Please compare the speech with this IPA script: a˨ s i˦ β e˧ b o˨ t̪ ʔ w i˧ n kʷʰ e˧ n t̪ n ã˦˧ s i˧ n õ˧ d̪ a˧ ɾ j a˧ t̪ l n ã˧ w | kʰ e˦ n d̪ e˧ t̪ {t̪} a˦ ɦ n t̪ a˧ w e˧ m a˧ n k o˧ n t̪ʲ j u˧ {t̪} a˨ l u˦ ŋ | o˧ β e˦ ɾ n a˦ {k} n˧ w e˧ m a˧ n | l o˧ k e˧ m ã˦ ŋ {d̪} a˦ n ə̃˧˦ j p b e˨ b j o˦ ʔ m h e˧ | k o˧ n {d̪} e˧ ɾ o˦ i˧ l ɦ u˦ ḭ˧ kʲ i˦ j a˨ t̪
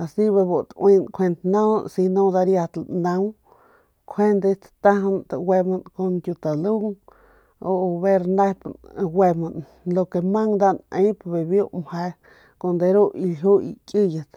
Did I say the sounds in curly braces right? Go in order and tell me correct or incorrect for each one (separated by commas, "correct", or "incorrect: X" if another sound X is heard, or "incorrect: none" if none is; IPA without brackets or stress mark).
correct, correct, incorrect: p, correct, correct